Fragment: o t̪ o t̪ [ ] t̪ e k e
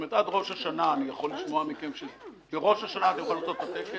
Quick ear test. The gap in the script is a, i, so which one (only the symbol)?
a